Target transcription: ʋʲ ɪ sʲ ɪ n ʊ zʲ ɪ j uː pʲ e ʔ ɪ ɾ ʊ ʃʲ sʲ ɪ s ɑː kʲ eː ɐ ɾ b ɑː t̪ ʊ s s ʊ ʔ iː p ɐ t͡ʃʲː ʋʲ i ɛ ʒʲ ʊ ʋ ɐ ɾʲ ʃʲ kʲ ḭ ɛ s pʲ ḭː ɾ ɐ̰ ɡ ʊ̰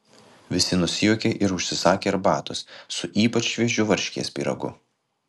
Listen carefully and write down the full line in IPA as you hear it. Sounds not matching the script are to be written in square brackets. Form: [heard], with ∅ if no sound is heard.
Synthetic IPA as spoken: ʋʲ ɪ sʲ ɪ n ʊ [sʲ] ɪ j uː [kʲ] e ʔ ɪ ɾ ʊ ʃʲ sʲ ɪ s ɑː kʲ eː ɐ ɾ b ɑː t̪ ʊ s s ʊ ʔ iː p ɐ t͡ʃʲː ʋʲ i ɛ ʒʲ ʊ ʋ ɐ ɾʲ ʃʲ kʲ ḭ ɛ s pʲ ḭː ɾ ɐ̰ ɡ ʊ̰

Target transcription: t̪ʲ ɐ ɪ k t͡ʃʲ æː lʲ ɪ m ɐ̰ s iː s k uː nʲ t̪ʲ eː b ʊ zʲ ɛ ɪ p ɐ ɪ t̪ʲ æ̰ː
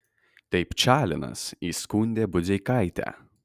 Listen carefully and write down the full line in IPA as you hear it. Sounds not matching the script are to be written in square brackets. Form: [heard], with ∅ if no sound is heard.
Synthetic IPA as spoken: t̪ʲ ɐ ɪ [p] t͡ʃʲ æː lʲ ɪ [n] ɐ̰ s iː s k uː nʲ [d̪ʲ] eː b ʊ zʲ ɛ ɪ [k] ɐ ɪ t̪ʲ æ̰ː

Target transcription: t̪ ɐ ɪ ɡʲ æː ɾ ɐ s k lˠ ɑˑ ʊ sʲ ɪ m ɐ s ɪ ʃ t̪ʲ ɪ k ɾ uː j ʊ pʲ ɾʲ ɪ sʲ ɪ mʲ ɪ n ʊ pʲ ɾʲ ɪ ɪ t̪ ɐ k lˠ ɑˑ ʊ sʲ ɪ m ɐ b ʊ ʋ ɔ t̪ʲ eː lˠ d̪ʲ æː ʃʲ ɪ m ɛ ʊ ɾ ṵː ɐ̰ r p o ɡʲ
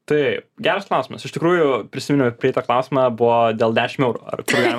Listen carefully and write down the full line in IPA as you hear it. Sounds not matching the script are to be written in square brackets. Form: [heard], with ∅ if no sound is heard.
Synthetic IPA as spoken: t̪ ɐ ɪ ɡʲ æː ɾ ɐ s k lˠ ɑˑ ʊ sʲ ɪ m ɐ s ɪ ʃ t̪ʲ ɪ k ɾ uː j ʊ pʲ ɾʲ ɪ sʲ ɪ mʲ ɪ n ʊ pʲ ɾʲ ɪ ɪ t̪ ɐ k lˠ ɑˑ ʊ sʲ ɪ m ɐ b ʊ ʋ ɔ [d̪ʲ] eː lˠ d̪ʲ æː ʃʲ ɪ m ɛ ʊ ɾ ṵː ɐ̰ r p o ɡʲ

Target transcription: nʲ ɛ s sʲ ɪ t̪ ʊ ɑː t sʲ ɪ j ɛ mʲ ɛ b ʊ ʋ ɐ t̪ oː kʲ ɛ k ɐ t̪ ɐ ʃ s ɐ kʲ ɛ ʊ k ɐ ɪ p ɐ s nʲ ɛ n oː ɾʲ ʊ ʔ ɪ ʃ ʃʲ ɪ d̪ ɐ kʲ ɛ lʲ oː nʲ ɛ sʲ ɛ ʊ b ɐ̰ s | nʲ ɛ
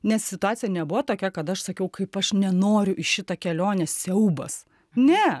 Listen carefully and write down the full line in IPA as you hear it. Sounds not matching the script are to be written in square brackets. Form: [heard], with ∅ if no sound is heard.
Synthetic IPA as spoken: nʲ ɛ s sʲ ɪ t̪ ʊ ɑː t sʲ ɪ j ɛ [nʲ] ɛ b ʊ ʋ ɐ t̪ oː kʲ ɛ k ɐ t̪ ɐ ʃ s ɐ kʲ ɛ ʊ k ɐ ɪ p ɐ [ʃ] nʲ ɛ n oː ɾʲ ʊ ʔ ɪ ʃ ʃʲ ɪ [t̪] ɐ kʲ ɛ lʲ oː nʲ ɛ sʲ ɛ ʊ b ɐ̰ s | nʲ ɛ

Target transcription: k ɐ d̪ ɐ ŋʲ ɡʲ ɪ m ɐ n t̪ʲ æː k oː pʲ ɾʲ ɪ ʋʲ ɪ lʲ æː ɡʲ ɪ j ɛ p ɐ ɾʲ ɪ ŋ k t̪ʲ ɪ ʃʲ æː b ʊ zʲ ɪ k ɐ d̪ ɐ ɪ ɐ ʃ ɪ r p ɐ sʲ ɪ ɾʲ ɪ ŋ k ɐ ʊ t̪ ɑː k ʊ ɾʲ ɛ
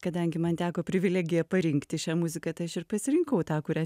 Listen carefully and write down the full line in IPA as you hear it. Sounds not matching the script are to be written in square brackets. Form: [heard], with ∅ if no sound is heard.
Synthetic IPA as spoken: k ɐ d̪ ɐ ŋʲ ɡʲ ɪ m ɐ n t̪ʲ æː k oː pʲ ɾʲ ɪ ʋʲ ɪ lʲ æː ɡʲ ɪ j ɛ p ɐ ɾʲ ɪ ŋ k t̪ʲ ɪ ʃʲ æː [m] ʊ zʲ ɪ k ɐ [t̪] ɐ ɪ ɐ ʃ ɪ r p ɐ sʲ ɪ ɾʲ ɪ ŋ k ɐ ʊ t̪ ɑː k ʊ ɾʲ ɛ

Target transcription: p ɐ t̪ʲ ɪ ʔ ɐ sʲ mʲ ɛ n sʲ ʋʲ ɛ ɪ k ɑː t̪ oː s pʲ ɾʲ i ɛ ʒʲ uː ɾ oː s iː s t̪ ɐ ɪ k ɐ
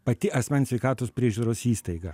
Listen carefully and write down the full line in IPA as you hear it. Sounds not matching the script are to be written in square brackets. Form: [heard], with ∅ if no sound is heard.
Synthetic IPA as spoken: p ɐ t̪ʲ ɪ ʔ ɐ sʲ mʲ ɛ n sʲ ʋʲ ɛ ɪ k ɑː t̪ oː s pʲ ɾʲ i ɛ ʒʲ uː ɾ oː s iː s t̪ ɐ ɪ [ɡ] ɐ

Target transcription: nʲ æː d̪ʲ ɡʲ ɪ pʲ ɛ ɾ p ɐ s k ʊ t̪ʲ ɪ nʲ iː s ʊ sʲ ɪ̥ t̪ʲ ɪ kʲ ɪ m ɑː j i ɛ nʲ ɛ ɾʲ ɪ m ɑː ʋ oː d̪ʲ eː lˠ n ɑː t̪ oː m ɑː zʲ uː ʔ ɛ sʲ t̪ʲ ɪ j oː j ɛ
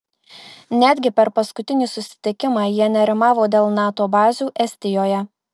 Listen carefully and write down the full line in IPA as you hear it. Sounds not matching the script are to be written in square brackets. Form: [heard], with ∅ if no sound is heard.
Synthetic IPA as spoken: nʲ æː d̪ʲ ɡʲ ɪ pʲ ɛ ɾ p ɐ s k ʊ t̪ʲ ɪ nʲ iː s ʊ sʲ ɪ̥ t̪ʲ ɪ kʲ ɪ m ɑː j i ɛ nʲ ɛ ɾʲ ɪ m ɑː ʋ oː d̪ʲ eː lˠ n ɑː t̪ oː [b] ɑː zʲ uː ʔ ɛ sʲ t̪ʲ ɪ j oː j ɛ

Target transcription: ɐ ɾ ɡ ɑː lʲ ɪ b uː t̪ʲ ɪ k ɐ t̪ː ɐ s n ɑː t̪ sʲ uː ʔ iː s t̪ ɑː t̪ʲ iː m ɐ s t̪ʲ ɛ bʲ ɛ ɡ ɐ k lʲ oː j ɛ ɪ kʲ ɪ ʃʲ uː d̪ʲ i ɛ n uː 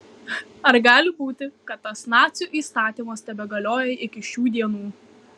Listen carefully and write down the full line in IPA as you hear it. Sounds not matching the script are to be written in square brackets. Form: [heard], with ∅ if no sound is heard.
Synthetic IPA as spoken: ɐ ɾ ɡ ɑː lʲ ɪ b uː t̪ʲ ɪ k ɐ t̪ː ɐ s n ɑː t̪ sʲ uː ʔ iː s t̪ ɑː t̪ʲ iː m ɐ s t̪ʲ ɛ bʲ ɛ ɡ ɐ [∅] lʲ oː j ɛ ɪ kʲ ɪ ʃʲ uː d̪ʲ i ɛ n uː

